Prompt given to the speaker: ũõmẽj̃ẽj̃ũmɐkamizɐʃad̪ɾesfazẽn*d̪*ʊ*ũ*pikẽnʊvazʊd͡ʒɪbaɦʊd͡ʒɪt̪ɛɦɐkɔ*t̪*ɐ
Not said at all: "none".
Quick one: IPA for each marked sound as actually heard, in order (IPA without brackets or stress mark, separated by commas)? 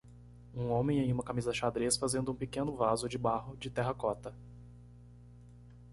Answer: d̪, ũ, t̪